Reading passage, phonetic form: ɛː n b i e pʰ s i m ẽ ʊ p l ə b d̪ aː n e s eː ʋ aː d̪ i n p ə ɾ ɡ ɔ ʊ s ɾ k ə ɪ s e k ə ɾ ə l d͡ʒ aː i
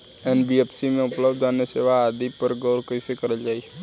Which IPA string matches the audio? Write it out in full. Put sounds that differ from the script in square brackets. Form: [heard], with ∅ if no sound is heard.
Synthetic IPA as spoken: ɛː n b i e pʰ s i m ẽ ʊ p l ə b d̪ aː n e s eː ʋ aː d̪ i [∅] p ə ɾ ɡ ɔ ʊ [∅] ɾ k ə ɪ s e k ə ɾ ə l d͡ʒ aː i